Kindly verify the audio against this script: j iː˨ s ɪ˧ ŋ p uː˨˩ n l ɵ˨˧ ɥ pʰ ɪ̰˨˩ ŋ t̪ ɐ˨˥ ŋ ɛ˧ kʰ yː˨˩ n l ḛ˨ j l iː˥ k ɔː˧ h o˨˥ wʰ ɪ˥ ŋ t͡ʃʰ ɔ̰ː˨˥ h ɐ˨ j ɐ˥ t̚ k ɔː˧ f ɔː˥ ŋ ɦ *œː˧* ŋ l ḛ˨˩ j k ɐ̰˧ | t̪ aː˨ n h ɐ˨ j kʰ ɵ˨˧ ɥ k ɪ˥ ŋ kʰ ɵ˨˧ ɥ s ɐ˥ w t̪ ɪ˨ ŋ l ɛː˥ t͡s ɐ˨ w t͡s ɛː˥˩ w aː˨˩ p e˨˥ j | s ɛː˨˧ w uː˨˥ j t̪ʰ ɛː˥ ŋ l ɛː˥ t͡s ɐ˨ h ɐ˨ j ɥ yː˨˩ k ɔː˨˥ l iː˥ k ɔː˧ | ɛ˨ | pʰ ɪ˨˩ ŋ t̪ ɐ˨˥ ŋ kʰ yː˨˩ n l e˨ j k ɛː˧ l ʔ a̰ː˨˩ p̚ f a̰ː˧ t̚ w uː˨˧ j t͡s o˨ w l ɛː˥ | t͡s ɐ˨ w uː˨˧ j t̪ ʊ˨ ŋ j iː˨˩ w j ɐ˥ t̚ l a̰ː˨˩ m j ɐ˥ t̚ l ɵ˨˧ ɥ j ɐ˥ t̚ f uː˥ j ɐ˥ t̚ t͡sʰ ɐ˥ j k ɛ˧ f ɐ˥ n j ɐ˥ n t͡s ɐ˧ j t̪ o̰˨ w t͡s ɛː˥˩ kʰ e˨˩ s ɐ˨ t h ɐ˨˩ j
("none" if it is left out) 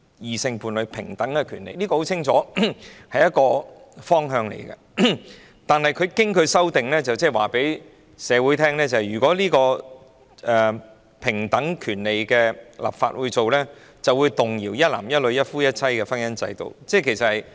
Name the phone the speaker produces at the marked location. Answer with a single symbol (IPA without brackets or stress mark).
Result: œː˧